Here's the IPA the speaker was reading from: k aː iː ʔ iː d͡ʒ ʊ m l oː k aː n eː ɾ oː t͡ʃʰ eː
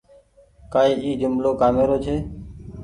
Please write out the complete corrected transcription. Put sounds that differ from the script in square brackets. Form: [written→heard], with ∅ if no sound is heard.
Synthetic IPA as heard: k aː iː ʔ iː d͡ʒ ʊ m l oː k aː [n→m] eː ɾ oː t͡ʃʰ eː